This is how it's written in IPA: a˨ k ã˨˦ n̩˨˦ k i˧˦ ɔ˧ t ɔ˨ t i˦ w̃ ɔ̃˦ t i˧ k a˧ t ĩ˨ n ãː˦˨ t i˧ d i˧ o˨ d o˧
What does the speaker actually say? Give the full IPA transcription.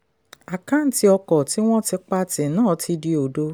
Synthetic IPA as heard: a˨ k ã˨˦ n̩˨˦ t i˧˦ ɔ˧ k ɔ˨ t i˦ w̃ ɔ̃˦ t i˧ k͡p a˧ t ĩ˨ n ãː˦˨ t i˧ d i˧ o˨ d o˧